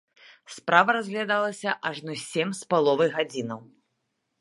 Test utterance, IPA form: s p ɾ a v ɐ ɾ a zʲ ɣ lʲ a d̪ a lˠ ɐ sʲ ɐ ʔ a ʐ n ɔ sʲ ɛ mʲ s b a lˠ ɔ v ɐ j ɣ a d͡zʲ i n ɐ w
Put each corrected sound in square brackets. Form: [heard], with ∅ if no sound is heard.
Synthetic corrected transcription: s p ɾ a v ɐ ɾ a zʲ ɣ lʲ a d̪ a lˠ ɐ sʲ ɐ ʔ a ʐ n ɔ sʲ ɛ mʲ s [p] a lˠ ɔ v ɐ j ɣ a d͡zʲ i n ɐ w

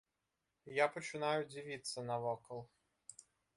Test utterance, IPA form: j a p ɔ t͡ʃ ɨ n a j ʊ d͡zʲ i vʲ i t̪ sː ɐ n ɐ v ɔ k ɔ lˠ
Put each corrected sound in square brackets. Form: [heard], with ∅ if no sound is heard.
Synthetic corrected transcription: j a p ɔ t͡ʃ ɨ n a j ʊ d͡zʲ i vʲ i t̪ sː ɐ n ɐ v ɔ k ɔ lˠ

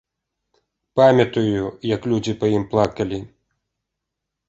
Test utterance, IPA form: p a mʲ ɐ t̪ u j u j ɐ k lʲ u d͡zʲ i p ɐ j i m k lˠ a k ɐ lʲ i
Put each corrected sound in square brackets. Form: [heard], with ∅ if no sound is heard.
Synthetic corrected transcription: p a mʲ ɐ t̪ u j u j ɐ k lʲ u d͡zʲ i p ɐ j i m [p] lˠ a k ɐ lʲ i

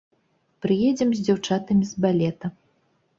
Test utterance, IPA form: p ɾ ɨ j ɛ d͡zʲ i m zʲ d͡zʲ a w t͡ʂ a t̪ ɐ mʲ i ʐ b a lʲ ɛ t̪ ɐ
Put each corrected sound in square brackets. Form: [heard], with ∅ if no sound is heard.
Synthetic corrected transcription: p ɾ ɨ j ɛ d͡zʲ [ɛ] m zʲ d͡zʲ a w t͡ʂ a t̪ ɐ mʲ i [z] b a lʲ ɛ t̪ ɐ

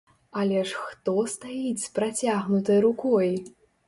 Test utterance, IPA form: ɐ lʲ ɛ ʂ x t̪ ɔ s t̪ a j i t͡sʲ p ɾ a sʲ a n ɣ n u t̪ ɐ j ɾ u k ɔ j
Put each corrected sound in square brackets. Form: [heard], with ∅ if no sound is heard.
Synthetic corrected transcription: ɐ lʲ ɛ ʂ x t̪ ɔ s t̪ a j i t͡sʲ p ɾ a [t͡sʲ] a [∅] ɣ n u t̪ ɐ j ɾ u k ɔ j

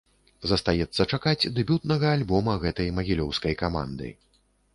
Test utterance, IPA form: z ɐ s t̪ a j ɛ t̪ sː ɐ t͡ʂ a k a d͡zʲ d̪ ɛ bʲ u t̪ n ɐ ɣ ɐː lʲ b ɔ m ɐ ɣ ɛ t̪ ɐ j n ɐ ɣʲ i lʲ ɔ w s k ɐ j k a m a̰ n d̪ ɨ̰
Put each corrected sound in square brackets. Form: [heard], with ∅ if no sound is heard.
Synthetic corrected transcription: z ɐ s t̪ a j ɛ t̪ sː ɐ t͡ʂ a k a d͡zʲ d̪ ɛ bʲ u t̪ n ɐ ɣ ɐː lʲ b ɔ m ɐ ɣ ɛ t̪ ɐ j [m] ɐ ɣʲ i lʲ ɔ w s k ɐ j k a m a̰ n d̪ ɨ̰

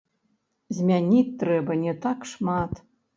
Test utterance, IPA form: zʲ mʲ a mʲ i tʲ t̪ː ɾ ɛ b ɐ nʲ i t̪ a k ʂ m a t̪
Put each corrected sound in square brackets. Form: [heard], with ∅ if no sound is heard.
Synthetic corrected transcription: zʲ mʲ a [nʲ] i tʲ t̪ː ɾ ɛ b ɐ nʲ [ɛ] t̪ a k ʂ m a t̪

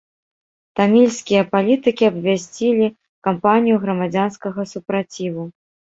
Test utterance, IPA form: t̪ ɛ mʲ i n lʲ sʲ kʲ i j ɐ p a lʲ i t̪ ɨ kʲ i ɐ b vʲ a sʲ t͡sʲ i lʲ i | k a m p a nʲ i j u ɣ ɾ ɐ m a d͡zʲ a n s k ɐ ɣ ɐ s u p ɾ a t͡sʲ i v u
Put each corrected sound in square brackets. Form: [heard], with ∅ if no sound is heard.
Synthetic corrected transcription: t̪ [a] mʲ i [∅] lʲ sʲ kʲ i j ɐ p a lʲ i t̪ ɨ kʲ i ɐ b vʲ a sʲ t͡sʲ i lʲ i | k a m p a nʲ i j u ɣ ɾ ɐ m a d͡zʲ a n s k ɐ ɣ ɐ s u p ɾ a t͡sʲ i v u

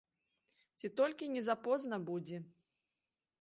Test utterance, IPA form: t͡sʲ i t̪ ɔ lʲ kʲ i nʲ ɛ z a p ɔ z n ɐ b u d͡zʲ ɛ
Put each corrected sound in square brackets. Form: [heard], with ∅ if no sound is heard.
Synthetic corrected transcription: t͡sʲ i t̪ ɔ lʲ kʲ i nʲ ɛ z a p ɔ z n ɐ b u d͡zʲ ɛ

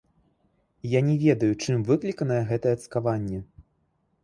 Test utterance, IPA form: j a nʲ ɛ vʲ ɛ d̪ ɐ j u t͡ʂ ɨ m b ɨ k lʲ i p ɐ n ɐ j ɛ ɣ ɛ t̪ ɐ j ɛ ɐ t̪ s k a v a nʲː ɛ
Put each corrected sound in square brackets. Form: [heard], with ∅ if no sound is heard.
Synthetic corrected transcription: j a nʲ ɛ vʲ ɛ d̪ ɐ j u t͡ʂ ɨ m [v] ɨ k lʲ i [k] ɐ n ɐ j ɛ ɣ ɛ t̪ ɐ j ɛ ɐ t̪ s k a v a nʲː ɛ

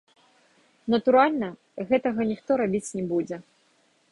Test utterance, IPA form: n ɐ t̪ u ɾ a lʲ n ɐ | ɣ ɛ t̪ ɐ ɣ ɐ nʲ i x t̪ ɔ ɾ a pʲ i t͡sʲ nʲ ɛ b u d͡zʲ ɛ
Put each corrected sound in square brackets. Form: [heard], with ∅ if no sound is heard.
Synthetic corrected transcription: n ɐ t̪ u ɾ a lʲ n ɐ | ɣ ɛ t̪ ɐ ɣ ɐ nʲ i x t̪ ɔ ɾ a [bʲ] i t͡sʲ nʲ ɛ b u d͡zʲ ɛ

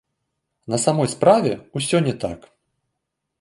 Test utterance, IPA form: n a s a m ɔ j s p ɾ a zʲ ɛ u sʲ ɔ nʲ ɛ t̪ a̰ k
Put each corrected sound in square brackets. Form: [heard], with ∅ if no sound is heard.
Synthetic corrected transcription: n [ɐ] s a m ɔ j s p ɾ a [vʲ] ɛ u sʲ ɔ nʲ ɛ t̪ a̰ k

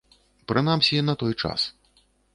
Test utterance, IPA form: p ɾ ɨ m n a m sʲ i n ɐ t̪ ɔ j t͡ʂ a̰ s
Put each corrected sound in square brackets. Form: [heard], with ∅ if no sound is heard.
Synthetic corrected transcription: p ɾ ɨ [∅] n a m sʲ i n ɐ t̪ ɔ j t͡ʂ a̰ s

